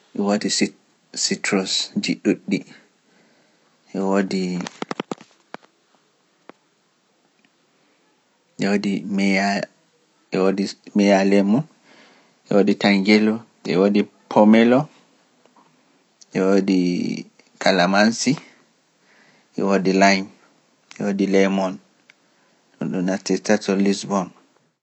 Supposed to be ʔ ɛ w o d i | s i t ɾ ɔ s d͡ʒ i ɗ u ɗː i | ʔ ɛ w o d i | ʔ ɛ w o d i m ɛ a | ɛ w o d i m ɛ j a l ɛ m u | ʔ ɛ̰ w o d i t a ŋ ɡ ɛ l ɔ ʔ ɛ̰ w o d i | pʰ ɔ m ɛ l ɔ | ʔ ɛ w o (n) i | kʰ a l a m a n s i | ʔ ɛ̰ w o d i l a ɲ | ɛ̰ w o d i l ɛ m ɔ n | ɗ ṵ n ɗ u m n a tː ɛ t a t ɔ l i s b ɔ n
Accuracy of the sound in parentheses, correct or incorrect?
incorrect: d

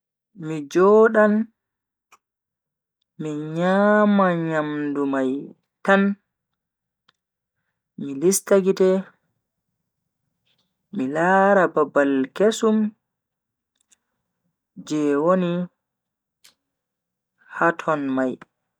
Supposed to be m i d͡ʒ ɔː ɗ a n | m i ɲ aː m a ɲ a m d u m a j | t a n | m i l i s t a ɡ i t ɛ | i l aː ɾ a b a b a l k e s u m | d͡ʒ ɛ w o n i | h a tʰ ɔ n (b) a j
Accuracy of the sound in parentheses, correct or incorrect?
incorrect: m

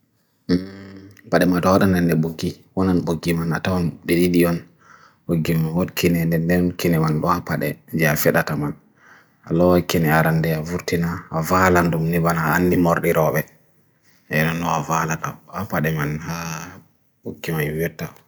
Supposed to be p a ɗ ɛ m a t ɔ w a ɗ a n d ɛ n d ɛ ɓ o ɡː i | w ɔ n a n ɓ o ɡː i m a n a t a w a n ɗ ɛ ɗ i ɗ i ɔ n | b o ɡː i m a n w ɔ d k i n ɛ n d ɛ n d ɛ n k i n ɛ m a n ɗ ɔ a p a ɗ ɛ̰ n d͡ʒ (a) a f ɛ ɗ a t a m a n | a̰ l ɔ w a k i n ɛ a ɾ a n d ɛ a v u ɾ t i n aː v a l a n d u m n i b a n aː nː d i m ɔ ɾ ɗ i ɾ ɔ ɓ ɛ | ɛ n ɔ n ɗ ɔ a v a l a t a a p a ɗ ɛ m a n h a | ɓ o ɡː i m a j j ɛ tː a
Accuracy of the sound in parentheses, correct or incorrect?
incorrect: ɛ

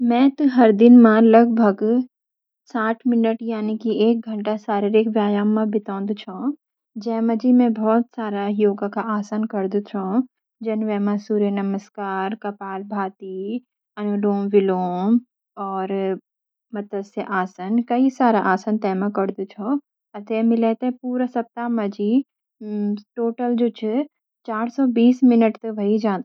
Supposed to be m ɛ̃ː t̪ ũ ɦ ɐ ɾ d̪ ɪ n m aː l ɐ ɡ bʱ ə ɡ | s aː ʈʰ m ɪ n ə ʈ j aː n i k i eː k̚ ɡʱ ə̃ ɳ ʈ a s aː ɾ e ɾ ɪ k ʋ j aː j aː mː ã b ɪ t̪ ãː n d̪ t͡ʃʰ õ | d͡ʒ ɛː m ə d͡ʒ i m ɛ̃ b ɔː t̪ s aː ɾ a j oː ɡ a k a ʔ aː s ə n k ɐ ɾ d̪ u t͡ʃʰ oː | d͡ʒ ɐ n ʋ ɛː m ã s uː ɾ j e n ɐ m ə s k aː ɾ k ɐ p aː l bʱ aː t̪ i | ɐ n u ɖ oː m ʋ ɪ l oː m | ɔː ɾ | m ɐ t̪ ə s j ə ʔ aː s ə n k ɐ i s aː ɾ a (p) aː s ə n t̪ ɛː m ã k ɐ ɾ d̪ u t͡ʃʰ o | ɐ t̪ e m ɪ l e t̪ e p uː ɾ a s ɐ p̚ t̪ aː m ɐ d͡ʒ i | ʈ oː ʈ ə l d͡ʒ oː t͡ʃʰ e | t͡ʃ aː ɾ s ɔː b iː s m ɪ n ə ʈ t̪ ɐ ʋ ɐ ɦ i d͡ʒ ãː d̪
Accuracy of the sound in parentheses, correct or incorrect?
incorrect: ʔ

